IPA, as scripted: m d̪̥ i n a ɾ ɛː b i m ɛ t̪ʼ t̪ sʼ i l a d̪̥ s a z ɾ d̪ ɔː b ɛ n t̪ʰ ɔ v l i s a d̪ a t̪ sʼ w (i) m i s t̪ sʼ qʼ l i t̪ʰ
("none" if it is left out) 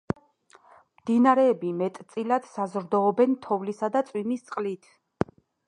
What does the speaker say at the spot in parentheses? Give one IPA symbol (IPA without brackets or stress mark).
i